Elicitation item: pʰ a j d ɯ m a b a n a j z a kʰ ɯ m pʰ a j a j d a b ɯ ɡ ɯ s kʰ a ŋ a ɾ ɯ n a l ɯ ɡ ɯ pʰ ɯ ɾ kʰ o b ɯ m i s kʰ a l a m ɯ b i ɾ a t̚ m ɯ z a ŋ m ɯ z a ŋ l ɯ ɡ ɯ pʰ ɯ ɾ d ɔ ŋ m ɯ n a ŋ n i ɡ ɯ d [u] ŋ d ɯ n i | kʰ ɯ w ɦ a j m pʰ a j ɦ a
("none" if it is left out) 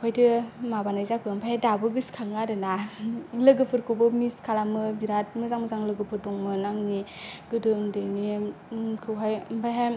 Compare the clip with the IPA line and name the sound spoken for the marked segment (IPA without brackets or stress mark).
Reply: ɯ